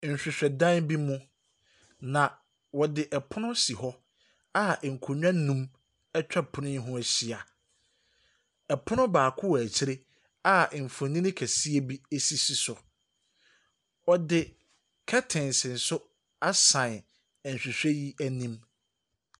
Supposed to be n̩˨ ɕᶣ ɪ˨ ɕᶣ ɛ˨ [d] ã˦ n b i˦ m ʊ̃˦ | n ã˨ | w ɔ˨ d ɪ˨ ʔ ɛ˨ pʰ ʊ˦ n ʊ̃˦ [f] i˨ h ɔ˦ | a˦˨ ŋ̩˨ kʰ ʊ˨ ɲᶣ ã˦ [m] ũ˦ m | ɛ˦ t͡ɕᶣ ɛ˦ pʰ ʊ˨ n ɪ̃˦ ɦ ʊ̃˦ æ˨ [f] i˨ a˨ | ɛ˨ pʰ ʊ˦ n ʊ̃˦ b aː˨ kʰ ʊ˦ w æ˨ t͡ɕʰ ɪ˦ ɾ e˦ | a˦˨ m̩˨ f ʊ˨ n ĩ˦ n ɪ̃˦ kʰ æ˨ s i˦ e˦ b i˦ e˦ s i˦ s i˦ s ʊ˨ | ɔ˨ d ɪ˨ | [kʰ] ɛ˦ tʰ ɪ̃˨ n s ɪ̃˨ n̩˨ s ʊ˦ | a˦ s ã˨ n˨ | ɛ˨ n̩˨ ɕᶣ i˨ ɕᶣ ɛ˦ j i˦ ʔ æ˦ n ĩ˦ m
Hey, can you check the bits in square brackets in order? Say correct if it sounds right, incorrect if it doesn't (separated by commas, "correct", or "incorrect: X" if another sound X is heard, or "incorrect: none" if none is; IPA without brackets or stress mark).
correct, incorrect: s, incorrect: n, incorrect: ɕ, correct